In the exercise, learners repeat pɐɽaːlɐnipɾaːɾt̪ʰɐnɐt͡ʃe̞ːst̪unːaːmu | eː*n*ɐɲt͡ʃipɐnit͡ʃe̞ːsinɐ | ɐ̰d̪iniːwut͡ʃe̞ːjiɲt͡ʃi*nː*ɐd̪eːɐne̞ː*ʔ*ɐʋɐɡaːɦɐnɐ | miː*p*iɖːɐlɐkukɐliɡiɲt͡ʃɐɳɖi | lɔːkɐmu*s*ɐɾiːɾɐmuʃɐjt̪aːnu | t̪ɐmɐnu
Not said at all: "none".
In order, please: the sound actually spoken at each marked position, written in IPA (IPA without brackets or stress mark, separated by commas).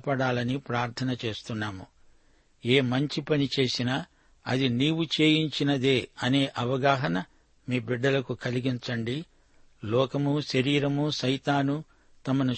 m, n, ʔ, b, ʃ